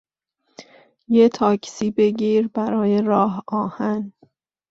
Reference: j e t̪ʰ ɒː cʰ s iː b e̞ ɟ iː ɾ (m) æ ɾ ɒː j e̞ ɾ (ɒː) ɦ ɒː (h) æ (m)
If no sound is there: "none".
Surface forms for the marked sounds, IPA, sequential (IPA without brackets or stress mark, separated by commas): b, ɒː, h, n